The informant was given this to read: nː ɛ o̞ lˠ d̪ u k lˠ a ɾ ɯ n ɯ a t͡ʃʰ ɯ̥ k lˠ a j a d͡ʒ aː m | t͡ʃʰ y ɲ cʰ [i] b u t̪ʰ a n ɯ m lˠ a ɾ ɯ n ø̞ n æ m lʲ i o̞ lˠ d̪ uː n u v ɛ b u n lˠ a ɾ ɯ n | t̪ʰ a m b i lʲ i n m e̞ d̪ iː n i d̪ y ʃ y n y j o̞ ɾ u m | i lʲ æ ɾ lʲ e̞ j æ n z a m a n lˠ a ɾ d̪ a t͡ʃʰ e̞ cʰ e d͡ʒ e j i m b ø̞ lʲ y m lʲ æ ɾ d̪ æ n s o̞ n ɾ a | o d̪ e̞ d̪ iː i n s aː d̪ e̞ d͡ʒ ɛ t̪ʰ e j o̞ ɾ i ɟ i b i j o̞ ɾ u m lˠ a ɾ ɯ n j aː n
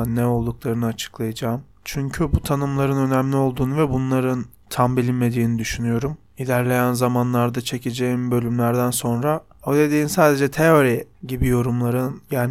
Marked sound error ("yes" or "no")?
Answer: yes